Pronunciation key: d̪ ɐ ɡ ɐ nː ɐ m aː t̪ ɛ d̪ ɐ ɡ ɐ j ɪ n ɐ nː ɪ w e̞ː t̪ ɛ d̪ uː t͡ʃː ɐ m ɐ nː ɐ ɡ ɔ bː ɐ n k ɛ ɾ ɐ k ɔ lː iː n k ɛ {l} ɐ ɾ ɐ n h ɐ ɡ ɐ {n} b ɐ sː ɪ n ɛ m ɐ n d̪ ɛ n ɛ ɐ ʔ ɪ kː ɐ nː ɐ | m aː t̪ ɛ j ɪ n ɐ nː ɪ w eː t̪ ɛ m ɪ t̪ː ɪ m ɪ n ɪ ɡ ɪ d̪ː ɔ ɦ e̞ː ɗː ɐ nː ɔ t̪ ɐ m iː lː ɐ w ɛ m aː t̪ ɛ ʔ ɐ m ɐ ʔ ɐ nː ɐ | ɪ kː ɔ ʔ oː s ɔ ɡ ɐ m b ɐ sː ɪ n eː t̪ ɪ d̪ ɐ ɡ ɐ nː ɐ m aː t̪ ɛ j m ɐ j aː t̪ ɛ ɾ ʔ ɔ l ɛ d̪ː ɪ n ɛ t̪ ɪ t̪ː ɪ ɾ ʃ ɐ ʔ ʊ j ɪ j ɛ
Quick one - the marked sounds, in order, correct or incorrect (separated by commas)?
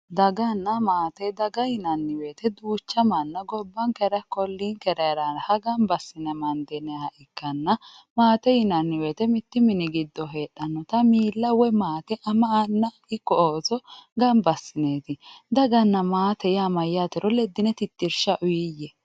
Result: incorrect, incorrect